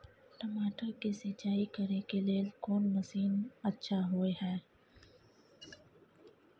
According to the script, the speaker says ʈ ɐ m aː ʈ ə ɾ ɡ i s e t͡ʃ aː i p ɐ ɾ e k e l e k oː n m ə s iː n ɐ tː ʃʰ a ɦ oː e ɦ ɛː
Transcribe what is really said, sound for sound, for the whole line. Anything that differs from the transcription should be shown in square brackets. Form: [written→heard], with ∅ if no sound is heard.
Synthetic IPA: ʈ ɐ m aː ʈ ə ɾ [ɡ→k] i s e t͡ʃ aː i [p→k] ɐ ɾ e k e l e k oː n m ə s iː n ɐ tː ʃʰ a ɦ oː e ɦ ɛː